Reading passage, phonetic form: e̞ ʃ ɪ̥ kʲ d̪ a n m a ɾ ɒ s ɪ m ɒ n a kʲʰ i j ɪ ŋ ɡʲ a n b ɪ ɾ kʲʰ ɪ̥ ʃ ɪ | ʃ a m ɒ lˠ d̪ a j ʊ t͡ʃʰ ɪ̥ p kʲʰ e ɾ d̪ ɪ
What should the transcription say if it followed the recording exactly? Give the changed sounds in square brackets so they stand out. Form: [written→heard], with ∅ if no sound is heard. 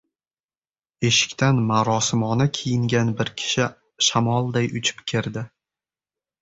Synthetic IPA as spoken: e̞ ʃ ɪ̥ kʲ [d̪→t̪] a n m a ɾ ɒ s ɪ m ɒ n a kʲʰ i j ɪ ŋ ɡʲ a n b ɪ ɾ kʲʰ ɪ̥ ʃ ɪ | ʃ a m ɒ lˠ d̪ a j ʊ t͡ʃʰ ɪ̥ p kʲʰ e ɾ d̪ ɪ